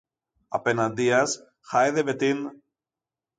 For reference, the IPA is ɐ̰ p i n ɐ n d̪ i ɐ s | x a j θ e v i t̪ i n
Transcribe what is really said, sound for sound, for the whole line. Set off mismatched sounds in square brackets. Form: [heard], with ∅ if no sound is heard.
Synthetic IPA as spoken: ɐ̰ p [e] n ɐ n d̪ i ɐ s | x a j [ð] e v [e] t̪ i n

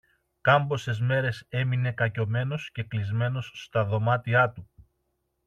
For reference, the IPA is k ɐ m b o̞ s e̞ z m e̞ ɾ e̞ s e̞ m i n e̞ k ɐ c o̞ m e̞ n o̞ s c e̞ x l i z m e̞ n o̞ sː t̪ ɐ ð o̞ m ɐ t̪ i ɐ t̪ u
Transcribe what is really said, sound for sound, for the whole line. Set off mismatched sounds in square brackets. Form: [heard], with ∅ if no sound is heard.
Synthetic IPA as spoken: k ɐ m b o̞ s e̞ z m e̞ ɾ e̞ s e̞ m i n e̞ k ɐ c o̞ m e̞ n o̞ s c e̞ [k] l i z m e̞ n o̞ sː t̪ ɐ ð o̞ m ɐ t̪ i ɐ t̪ u

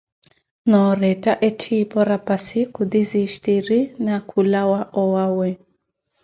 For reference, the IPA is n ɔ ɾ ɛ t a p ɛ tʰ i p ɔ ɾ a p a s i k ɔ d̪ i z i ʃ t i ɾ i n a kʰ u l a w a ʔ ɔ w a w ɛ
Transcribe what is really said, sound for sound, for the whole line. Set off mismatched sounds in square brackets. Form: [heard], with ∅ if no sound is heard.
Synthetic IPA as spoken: n ɔ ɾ ɛ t a [ʔ] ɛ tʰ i p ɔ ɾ a p a s i k [u] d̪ i z i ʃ t i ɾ i n a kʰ u l a w a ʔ ɔ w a w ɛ

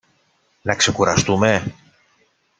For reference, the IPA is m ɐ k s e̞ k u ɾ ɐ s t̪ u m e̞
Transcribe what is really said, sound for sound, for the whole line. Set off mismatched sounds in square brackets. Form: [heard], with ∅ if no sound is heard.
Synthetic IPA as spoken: [n] ɐ k s e̞ k u ɾ ɐ s t̪ u m e̞

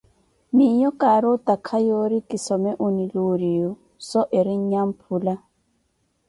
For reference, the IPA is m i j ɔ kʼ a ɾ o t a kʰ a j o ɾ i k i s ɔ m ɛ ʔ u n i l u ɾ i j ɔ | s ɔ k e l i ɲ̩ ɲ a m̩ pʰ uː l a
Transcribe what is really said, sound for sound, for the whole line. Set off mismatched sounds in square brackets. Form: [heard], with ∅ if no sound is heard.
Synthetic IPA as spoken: m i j ɔ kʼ a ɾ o t a kʰ a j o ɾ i k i s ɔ m ɛ ʔ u n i l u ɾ i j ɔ | s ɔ [ʔ] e [ɾ] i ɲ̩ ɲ a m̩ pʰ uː l a

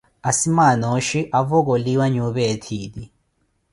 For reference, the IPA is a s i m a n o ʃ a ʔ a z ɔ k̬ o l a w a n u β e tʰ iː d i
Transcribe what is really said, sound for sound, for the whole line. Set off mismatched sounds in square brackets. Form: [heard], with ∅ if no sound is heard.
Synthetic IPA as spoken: a s i m a n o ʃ [i] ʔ a [v] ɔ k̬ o l [i] w a [ɲ] u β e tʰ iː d i

